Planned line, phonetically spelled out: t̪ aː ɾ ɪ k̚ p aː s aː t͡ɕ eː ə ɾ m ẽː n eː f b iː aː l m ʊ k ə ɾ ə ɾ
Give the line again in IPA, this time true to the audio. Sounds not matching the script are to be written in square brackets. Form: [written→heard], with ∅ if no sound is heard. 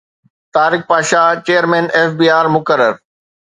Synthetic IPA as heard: t̪ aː ɾ ɪ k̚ p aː [s→ʃ] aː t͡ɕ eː ə ɾ m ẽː n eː f b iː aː [l→ɾ] m ʊ k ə ɾ ə ɾ